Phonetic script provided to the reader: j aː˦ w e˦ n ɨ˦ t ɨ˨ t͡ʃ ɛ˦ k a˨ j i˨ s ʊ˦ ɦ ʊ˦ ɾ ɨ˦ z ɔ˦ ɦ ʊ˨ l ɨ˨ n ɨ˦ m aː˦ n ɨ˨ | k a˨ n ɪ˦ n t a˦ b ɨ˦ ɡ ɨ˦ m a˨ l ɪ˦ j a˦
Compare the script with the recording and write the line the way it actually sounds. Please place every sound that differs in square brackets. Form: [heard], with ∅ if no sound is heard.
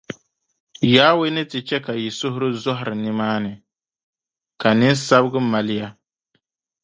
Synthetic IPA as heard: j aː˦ w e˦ n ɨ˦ t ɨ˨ t͡ʃ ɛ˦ k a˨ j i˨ s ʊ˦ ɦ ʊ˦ ɾ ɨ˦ z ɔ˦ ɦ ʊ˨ [ɾ] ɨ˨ n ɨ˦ m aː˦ n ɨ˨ | k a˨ n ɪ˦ n [s] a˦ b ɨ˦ ɡ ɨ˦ m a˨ l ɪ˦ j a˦